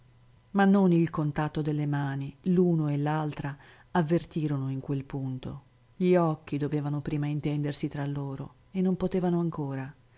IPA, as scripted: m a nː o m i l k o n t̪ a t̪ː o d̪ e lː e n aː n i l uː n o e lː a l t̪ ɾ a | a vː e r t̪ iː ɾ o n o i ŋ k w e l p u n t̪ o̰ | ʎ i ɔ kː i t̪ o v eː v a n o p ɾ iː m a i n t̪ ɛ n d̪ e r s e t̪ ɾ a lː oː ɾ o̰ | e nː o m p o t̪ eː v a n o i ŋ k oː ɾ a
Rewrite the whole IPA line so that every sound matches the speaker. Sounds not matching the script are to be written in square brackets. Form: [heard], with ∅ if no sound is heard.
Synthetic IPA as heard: m a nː o [n] i l k o n t̪ a t̪ː o d̪ e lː e [m] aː n i l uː n o e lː a l t̪ ɾ a | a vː e r t̪ iː ɾ o n o i ŋ k w e l p u n t̪ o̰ | ʎ i ɔ kː i [d̪] o v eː v a n o p ɾ iː m a i n t̪ ɛ n d̪ e r s [i] t̪ ɾ a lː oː ɾ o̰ | e nː o m p o t̪ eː v a n o [a] ŋ k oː ɾ a